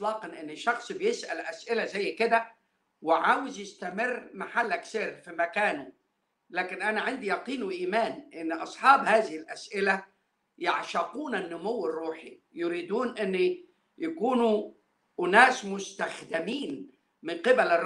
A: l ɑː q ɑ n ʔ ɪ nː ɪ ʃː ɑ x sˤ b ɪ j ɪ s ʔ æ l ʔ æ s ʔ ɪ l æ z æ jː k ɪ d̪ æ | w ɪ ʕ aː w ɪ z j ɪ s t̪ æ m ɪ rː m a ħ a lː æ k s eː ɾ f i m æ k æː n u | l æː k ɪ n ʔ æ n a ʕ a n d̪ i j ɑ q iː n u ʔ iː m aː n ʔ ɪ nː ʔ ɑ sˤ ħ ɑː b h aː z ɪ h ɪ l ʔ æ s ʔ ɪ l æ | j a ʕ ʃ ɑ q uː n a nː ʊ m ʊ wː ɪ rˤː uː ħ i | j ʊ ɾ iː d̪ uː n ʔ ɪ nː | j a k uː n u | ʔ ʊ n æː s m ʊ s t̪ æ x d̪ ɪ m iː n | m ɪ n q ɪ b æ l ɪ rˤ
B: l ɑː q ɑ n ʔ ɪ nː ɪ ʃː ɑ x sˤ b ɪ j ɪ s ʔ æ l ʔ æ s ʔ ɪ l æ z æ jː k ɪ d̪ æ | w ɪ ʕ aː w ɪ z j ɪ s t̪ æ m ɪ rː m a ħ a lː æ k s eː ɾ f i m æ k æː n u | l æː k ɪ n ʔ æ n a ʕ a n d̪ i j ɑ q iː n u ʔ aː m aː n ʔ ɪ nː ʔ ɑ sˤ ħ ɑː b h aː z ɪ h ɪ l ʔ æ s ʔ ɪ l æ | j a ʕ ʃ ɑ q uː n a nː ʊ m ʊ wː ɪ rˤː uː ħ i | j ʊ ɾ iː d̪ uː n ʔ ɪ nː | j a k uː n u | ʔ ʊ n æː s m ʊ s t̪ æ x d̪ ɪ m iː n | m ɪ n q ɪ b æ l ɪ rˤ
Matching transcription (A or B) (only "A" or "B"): A